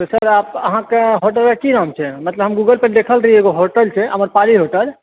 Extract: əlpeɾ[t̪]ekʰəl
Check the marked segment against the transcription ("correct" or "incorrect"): incorrect